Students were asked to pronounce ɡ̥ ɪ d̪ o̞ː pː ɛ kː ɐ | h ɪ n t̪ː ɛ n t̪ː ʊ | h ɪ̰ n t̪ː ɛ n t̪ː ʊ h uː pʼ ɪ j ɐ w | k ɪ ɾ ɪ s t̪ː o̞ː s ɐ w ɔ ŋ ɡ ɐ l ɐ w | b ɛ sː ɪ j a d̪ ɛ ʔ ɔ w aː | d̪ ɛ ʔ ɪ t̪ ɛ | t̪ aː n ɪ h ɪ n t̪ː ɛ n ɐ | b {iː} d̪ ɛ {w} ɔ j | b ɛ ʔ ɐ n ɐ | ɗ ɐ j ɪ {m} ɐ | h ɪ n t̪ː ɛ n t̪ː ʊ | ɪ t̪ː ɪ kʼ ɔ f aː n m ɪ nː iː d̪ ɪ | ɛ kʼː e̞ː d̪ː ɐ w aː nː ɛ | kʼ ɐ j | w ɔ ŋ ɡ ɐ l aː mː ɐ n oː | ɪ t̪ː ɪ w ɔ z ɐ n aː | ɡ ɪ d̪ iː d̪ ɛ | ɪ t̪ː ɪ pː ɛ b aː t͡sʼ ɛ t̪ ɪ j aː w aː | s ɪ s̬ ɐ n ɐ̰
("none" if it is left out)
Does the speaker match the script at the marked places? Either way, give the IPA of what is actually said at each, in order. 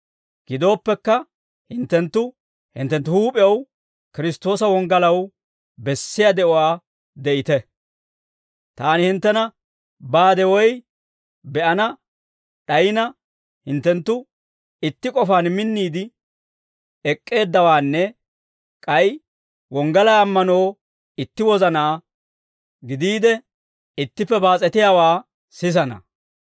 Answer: aː, w, n

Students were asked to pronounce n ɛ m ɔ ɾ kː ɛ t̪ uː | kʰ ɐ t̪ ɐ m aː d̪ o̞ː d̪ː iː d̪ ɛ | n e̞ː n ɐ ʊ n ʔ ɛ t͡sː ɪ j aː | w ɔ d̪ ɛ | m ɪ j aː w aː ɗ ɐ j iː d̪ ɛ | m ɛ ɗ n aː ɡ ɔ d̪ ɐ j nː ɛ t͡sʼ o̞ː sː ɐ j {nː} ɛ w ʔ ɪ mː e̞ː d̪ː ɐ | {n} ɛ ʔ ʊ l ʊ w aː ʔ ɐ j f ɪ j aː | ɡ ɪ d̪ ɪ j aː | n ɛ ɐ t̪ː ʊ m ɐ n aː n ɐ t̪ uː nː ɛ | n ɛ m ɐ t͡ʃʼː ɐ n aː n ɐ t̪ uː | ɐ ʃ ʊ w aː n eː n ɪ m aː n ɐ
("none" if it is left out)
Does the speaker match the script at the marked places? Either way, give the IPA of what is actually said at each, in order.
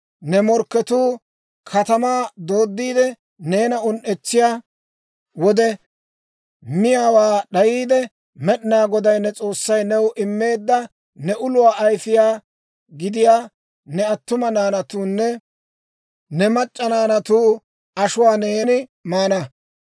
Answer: n, n

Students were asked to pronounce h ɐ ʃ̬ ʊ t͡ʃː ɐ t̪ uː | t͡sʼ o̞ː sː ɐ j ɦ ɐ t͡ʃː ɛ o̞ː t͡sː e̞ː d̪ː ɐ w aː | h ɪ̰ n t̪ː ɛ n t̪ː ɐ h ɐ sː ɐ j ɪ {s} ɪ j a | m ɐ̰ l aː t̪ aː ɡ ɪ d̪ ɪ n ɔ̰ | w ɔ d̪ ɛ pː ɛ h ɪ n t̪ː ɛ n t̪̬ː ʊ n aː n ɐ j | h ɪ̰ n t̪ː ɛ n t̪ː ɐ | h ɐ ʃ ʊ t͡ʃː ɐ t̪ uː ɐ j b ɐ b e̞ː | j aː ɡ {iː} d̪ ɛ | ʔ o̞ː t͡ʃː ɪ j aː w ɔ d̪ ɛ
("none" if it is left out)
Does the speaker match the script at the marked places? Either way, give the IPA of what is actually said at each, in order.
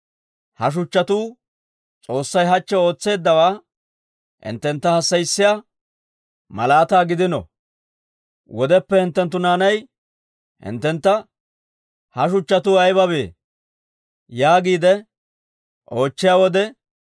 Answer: sː, iː

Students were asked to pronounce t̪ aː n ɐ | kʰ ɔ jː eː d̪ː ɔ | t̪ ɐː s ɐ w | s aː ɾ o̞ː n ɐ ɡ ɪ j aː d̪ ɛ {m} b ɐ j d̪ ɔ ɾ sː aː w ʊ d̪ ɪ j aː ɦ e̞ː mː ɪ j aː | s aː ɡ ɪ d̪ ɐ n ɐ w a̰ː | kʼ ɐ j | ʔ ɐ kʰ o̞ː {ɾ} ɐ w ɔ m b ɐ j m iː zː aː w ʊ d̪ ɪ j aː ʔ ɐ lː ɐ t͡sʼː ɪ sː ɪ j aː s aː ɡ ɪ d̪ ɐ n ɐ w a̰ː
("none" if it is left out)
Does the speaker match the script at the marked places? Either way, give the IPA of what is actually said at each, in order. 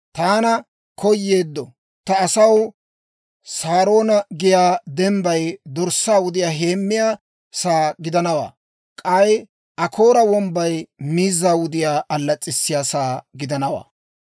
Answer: m, ɾ

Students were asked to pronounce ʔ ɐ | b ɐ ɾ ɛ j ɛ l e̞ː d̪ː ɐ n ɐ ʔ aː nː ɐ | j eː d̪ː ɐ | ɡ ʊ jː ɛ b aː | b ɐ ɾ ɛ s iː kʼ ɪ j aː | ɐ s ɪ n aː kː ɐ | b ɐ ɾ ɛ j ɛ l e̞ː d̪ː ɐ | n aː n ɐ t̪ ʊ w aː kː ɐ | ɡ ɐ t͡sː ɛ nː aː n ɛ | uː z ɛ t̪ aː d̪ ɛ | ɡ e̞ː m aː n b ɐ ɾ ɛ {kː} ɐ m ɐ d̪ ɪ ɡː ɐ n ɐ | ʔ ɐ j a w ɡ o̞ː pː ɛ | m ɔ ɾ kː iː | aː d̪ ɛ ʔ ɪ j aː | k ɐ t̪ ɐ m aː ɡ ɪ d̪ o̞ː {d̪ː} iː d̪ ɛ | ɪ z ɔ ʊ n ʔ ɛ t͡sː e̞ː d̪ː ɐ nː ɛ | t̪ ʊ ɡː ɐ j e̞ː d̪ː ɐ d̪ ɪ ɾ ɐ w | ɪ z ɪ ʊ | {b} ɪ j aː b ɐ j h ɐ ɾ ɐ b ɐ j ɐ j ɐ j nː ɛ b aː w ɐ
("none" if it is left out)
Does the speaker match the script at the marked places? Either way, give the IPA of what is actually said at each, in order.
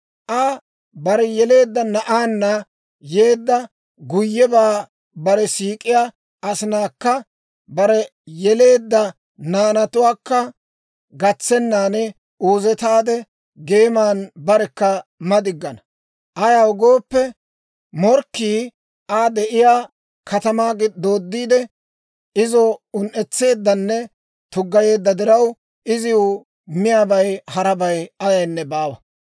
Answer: kː, d̪ː, m

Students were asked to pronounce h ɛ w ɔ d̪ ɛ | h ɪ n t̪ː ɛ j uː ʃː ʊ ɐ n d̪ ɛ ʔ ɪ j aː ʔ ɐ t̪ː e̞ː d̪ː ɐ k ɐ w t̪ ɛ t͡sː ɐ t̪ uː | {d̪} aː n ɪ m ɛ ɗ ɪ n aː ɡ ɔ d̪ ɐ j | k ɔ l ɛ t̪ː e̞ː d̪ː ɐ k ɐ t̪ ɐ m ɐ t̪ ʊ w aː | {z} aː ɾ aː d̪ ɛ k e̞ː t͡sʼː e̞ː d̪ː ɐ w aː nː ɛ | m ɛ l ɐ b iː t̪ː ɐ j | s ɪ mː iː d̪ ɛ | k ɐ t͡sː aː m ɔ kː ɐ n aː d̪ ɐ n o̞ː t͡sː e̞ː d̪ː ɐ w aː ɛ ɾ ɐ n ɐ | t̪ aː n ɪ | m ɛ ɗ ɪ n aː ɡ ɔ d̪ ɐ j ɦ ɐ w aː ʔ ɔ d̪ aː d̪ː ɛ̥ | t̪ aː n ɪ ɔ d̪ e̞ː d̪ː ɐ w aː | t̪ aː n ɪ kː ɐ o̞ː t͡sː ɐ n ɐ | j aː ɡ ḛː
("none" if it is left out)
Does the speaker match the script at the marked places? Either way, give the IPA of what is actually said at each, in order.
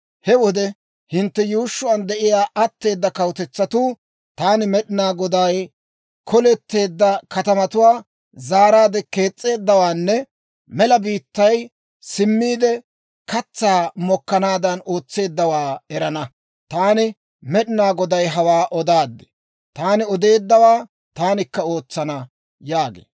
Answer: t̪, z

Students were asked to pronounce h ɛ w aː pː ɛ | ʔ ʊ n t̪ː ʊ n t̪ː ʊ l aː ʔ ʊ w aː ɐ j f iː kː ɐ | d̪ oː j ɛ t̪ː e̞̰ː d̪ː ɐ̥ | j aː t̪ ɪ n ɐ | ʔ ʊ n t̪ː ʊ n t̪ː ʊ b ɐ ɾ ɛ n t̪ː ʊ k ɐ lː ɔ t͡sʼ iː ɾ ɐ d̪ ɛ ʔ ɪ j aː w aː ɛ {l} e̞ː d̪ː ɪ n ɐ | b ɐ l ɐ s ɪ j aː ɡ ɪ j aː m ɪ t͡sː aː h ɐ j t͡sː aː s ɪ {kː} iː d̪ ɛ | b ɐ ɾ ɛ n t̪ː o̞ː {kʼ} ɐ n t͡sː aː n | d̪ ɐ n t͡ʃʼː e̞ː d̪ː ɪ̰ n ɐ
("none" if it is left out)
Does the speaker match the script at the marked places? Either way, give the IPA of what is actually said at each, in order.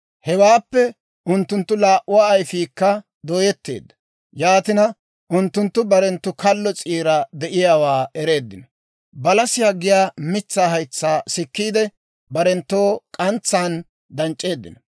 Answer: ɾ, kː, kʼ

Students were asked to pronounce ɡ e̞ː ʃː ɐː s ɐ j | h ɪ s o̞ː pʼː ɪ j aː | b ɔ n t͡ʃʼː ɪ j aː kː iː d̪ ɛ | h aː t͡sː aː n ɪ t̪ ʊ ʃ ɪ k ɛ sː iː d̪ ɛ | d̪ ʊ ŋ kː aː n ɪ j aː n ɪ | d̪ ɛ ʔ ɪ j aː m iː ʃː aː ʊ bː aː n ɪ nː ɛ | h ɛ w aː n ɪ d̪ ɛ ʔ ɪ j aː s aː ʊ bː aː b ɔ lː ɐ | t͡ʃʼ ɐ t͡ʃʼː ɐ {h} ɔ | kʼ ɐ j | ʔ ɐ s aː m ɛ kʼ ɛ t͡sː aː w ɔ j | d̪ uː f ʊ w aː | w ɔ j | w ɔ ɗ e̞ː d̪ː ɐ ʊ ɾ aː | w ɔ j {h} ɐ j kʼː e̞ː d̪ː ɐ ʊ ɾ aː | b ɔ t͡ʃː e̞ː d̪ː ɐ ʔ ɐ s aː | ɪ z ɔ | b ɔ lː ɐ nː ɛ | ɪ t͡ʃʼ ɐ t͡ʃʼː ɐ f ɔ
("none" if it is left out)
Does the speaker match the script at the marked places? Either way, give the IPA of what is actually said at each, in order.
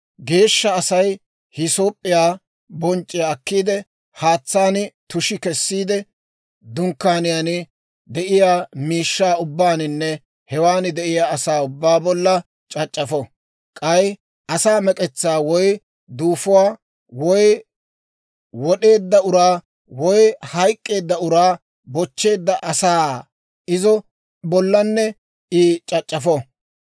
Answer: f, h

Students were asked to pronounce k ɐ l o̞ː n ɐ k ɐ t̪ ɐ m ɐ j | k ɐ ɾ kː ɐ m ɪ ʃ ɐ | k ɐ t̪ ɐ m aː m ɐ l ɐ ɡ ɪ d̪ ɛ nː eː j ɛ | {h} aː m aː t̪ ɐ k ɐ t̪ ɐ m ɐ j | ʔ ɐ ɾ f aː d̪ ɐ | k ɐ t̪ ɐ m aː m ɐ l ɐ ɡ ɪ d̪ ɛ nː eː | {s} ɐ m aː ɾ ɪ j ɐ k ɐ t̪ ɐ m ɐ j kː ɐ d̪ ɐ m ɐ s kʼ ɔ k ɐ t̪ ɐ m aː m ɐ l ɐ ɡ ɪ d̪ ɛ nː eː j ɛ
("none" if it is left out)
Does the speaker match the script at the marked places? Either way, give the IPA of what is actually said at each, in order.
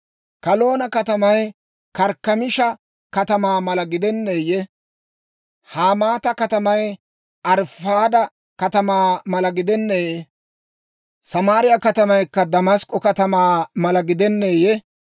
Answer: h, s

